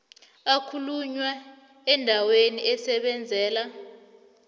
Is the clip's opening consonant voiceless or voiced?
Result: voiceless